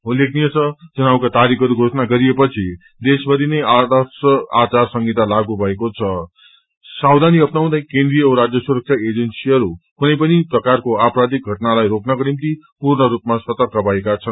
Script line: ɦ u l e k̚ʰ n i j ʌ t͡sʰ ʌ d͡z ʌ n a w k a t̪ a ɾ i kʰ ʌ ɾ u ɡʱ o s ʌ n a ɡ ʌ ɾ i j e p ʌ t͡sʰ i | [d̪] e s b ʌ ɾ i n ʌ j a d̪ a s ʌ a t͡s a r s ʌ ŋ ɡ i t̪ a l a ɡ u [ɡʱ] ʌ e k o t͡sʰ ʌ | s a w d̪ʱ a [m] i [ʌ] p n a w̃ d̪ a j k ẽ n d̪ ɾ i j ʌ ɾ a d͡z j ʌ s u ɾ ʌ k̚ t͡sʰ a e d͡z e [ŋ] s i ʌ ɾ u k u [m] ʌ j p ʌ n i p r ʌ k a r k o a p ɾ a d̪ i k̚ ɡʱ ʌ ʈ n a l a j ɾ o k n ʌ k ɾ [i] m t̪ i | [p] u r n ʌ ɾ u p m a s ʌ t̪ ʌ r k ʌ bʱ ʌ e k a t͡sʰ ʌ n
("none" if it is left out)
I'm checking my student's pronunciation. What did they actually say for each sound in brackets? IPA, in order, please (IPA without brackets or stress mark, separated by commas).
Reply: d̪, bʱ, n, ʌ, n, n, i, p